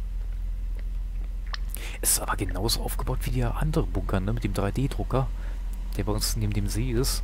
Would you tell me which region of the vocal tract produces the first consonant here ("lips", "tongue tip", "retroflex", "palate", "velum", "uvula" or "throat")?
throat